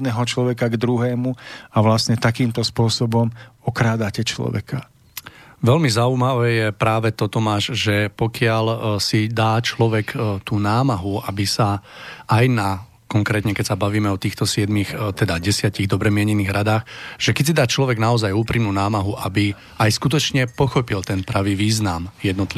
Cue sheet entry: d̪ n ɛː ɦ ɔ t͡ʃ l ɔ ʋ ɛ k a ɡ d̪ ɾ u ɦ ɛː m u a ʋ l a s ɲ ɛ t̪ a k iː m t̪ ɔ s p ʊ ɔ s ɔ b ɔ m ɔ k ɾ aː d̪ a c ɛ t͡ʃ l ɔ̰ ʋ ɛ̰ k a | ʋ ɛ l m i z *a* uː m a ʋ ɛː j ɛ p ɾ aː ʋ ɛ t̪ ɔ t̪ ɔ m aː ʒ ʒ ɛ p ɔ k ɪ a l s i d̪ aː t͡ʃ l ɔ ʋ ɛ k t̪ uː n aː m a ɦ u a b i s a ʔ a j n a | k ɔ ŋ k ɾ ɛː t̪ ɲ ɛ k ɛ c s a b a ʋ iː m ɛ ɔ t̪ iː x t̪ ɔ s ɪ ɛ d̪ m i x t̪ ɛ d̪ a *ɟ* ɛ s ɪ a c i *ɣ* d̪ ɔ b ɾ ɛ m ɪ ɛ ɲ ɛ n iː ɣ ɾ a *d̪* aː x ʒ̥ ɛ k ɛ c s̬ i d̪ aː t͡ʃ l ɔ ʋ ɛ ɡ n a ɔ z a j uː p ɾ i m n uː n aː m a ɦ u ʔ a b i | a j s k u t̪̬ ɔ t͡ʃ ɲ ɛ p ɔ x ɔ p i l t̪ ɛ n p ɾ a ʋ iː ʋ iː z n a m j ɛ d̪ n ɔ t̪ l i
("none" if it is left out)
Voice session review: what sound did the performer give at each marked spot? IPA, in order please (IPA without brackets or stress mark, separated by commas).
a, ɟ, ɣ, d̪